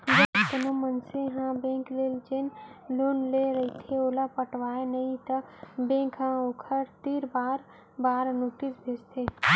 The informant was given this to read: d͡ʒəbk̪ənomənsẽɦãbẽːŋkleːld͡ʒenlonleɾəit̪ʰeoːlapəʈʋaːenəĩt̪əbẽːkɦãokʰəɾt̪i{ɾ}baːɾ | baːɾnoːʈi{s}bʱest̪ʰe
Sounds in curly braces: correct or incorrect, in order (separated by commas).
correct, correct